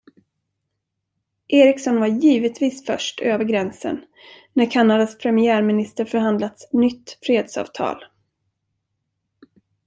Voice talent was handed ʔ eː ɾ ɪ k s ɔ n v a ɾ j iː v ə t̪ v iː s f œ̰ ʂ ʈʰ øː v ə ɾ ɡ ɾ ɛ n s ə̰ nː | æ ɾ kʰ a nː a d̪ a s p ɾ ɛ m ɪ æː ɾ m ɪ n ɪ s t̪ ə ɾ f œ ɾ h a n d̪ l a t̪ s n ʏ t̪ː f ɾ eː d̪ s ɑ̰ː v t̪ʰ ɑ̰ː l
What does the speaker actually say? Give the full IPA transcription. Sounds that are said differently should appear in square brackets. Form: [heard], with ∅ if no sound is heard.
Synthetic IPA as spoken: ʔ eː ɾ ɪ k s ɔ n v a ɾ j iː v ə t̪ v iː s f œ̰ ʂ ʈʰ øː v ə ɾ ɡ ɾ ɛ n s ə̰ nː | æ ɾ kʰ a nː a d̪ a s [pʰ] ɾ ɛ m ɪ æː ɾ m ɪ n ɪ s t̪ ə ɾ f œ ɾ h a n d̪ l a t̪ s n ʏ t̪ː f ɾ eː d̪ s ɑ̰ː v t̪ʰ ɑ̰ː l